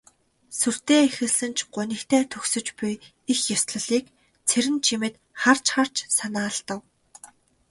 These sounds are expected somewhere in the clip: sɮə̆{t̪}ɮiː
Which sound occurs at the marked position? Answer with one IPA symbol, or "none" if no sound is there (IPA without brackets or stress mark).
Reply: none